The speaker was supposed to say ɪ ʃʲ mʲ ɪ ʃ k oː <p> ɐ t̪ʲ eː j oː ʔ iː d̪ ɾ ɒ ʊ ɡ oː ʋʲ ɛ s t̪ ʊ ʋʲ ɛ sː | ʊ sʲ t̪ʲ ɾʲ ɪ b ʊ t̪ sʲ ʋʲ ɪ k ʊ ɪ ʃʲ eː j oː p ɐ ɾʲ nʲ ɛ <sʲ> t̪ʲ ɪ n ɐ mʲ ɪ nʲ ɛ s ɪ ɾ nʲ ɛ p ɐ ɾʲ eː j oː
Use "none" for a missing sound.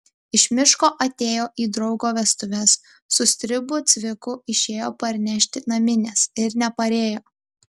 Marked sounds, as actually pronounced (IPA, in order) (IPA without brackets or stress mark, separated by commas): ʔ, ʃʲ